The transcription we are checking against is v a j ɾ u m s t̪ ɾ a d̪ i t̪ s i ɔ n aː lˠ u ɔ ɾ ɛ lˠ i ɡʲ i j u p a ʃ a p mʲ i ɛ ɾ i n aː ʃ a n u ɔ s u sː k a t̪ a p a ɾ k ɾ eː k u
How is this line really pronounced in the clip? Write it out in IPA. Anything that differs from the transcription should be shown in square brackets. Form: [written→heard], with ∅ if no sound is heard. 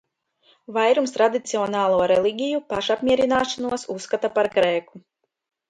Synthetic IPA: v a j ɾ u m s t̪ ɾ a d̪ i t̪ s i ɔ n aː lˠ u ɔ ɾ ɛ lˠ i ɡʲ i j u p a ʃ a p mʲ i ɛ ɾ i n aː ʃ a n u ɔ s u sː k a t̪ a p a ɾ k ɾ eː k u

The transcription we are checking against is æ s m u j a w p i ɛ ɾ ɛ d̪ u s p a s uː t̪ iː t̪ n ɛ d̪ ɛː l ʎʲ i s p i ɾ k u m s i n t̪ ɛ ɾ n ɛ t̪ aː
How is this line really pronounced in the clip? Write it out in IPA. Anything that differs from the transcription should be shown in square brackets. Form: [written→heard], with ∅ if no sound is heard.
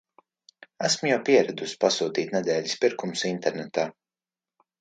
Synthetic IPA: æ s m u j a w p i ɛ ɾ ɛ d̪ u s p a s uː t̪ iː t̪ n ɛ d̪ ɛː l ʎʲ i s p i ɾ k u m s i n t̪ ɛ ɾ n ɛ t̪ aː

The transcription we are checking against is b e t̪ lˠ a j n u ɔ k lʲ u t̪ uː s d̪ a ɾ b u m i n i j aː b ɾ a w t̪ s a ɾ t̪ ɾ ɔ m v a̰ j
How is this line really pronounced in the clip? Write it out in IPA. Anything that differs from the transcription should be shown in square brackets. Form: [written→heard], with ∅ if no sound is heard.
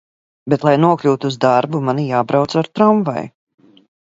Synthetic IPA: b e t̪ lˠ a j n u ɔ k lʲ [u→uː] t̪ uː [s→z] d̪ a ɾ b u m [i→a] n i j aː b ɾ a w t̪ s a ɾ t̪ ɾ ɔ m v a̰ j

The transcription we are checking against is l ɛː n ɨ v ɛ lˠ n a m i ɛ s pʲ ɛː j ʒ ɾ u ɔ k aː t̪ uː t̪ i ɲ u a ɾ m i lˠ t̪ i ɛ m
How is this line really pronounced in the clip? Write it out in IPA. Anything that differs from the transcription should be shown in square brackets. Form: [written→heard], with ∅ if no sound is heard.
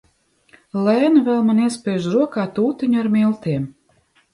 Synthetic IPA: l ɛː n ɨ v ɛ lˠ [n→m] a [m→n] i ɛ s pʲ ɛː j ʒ ɾ u ɔ k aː t̪ uː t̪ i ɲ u a ɾ m i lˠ t̪ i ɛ m

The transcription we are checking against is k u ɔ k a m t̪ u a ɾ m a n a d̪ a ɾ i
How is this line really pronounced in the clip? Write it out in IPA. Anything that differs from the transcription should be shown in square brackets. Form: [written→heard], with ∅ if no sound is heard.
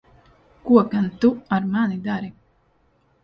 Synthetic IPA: k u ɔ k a [m→n] t̪ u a ɾ m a n [a→i] d̪ a ɾ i

